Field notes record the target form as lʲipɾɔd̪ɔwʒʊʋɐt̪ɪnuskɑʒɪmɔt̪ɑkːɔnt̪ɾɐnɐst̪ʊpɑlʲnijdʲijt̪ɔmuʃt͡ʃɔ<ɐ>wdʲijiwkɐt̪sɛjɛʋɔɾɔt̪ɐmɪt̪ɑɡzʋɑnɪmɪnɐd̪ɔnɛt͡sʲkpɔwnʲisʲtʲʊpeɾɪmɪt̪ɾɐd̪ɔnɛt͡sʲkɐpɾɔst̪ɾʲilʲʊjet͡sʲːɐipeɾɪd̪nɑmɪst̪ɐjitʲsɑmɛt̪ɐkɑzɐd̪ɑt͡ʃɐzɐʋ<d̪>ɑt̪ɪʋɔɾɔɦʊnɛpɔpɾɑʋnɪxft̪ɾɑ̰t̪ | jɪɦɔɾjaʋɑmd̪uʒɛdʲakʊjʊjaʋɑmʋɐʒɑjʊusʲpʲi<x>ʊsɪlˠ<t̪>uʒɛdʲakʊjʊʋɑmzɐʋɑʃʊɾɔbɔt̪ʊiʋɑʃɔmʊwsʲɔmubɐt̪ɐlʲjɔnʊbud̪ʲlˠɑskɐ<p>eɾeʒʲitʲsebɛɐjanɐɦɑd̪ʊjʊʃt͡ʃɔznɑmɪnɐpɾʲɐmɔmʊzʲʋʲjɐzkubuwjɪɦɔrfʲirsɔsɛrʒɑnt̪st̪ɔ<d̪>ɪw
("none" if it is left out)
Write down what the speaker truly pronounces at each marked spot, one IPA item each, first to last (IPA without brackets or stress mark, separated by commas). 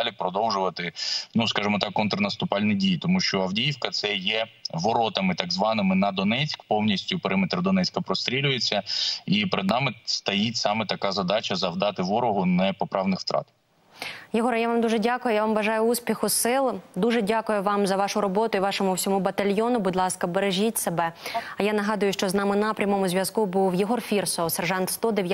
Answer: ɐ, d̪, x, d̪, b, d̪